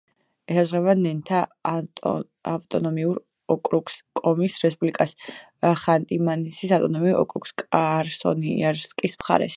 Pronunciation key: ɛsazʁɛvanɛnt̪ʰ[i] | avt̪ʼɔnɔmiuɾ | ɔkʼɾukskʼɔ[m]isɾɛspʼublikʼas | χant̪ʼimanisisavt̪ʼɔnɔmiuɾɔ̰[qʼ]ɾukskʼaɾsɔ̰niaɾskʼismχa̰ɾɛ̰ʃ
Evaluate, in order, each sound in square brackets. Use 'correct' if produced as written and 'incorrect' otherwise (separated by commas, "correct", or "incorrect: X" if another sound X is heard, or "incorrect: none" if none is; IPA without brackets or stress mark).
incorrect: a, correct, incorrect: kʼ